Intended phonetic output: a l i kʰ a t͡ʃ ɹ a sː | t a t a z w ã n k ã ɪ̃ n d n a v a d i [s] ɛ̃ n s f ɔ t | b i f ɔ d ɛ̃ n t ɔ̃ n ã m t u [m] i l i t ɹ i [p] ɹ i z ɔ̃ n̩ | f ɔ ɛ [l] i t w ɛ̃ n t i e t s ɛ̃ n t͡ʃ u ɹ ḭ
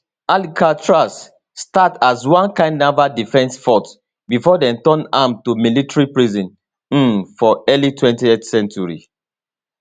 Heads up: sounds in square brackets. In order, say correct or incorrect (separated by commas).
incorrect, correct, correct, correct